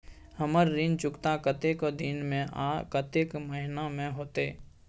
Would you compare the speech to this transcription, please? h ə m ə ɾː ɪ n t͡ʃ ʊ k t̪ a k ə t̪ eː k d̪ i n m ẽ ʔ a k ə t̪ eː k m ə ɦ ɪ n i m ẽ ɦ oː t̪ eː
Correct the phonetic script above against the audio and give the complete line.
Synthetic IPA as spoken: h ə m ə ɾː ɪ n t͡ʃ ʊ k t̪ a k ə t̪ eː k d̪ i n m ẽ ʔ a k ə t̪ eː k m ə ɦ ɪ n a m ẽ ɦ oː t̪ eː